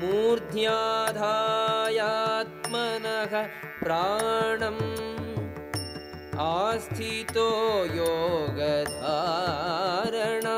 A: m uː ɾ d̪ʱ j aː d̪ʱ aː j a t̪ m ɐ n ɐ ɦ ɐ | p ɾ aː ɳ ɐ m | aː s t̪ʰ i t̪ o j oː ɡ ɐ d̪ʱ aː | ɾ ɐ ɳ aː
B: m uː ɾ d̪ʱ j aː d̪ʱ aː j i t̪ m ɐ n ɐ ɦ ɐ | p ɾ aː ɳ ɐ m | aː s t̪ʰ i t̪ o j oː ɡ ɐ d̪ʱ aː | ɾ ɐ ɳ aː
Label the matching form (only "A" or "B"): A